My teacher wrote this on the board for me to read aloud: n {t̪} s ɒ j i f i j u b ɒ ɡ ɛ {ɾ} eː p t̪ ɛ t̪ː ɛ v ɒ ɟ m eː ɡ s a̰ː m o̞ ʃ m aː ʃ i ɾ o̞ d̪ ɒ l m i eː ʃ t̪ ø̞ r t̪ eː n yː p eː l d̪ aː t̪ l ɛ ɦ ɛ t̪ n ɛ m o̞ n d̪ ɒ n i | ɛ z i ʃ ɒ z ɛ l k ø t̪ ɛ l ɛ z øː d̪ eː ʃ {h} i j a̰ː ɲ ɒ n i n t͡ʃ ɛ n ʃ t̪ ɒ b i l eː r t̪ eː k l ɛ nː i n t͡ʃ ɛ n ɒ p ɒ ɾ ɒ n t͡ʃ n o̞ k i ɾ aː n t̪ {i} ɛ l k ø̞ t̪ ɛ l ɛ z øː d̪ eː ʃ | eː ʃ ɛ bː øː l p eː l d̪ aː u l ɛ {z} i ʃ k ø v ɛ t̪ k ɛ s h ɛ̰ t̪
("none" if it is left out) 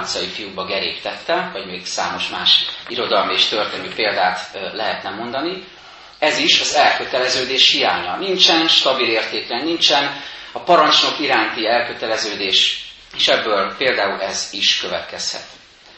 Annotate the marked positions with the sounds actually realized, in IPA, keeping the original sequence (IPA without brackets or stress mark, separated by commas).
t̪, ɾ, h, i, z